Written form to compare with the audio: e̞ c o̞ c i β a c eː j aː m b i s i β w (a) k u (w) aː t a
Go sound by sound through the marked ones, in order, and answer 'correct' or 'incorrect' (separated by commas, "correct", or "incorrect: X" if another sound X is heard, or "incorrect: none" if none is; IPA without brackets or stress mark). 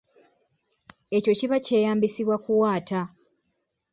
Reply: correct, correct